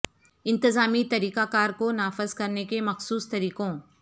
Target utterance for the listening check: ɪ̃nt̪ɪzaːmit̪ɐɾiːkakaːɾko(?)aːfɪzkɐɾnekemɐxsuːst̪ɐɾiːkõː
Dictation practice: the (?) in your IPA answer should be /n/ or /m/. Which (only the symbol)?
n